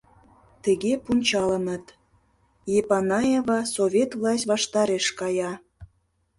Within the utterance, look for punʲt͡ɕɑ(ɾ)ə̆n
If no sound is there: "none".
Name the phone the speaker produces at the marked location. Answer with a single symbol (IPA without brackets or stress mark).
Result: l